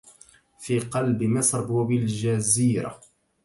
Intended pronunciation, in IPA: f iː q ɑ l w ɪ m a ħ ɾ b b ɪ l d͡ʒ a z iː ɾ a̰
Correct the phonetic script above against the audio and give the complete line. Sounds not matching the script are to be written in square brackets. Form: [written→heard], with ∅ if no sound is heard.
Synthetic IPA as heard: f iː q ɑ l [w→b] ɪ m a [ħ→s] ɾ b b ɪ l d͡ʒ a z iː ɾ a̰